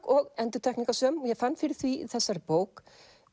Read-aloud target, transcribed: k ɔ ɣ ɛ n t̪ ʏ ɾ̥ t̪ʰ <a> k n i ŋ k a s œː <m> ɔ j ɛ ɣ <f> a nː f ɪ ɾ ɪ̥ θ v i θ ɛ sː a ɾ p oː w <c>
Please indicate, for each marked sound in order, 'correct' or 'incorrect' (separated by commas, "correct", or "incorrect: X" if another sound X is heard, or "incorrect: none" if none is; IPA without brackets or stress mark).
incorrect: ɛ, correct, correct, incorrect: k